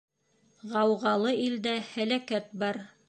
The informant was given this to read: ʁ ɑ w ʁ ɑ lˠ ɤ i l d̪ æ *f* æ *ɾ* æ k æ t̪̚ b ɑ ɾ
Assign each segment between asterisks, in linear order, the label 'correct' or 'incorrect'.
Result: incorrect, incorrect

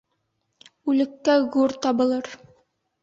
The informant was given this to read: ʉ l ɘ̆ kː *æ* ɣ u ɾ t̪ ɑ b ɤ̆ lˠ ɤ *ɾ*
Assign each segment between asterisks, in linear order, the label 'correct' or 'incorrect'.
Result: correct, correct

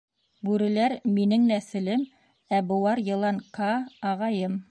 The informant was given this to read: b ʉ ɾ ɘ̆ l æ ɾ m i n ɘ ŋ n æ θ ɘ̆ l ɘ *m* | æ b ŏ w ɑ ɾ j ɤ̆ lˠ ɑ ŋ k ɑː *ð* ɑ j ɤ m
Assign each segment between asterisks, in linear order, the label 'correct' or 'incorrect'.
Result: correct, incorrect

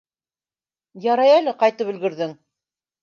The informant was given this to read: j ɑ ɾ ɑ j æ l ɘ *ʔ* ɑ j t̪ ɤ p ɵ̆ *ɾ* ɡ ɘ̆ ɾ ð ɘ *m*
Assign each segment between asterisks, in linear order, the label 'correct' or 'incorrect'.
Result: incorrect, incorrect, incorrect

